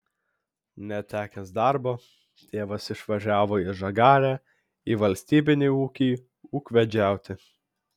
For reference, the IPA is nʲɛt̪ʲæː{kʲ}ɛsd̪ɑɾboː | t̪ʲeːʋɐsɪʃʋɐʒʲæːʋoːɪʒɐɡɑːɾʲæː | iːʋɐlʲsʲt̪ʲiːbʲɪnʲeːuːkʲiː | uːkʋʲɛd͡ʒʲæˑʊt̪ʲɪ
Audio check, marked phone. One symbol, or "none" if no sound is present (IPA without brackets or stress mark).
kʲ